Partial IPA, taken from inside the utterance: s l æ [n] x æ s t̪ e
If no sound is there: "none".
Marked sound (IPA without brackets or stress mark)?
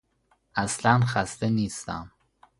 n